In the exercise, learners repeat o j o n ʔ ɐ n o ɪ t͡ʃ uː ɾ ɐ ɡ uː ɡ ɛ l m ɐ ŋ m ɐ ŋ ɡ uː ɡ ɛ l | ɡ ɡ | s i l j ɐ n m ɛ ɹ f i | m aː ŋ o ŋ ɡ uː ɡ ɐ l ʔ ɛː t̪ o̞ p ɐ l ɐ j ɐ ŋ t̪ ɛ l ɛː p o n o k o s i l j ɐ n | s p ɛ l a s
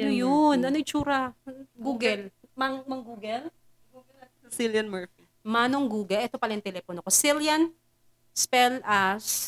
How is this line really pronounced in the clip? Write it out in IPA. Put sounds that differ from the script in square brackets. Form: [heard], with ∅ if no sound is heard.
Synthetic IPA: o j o n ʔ ɐ n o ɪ t͡ʃ uː ɾ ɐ ɡ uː ɡ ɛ l m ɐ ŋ m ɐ ŋ ɡ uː ɡ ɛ l | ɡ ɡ | s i l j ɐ n m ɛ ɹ f i | m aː [n] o ŋ ɡ uː ɡ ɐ l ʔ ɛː t̪ o̞ p ɐ l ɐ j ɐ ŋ t̪ ɛ l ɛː p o n o k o s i l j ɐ n | s p ɛ l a s